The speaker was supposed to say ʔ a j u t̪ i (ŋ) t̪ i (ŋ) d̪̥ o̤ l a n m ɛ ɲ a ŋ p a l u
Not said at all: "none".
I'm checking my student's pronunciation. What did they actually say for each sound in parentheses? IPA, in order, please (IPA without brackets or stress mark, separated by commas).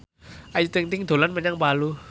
ŋ, ŋ